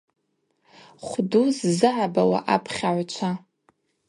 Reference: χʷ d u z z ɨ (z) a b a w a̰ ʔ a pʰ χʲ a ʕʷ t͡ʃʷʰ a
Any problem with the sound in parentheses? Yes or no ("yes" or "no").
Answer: yes